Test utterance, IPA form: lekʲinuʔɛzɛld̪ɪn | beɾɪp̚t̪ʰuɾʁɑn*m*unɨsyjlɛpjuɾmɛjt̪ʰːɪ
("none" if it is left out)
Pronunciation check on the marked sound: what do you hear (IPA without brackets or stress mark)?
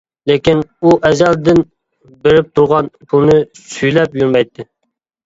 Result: b